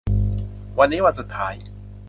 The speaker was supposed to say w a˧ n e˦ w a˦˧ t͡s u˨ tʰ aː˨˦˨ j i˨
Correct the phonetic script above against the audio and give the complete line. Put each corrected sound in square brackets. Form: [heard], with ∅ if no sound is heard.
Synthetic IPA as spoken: w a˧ n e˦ w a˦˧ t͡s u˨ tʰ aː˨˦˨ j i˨